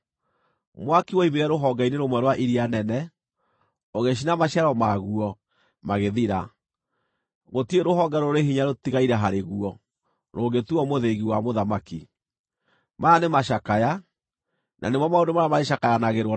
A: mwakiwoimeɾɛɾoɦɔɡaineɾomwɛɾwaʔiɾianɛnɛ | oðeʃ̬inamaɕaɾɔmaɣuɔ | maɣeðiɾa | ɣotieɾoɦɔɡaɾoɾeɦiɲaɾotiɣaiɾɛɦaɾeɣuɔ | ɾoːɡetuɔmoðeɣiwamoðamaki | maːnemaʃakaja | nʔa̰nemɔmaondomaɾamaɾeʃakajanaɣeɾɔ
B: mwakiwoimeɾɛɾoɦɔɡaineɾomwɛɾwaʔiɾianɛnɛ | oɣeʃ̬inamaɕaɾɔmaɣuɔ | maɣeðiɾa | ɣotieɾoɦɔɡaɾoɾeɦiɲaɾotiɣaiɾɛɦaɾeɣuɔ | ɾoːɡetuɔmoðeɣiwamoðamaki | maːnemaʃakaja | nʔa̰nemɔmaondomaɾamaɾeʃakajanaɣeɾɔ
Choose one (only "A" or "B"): B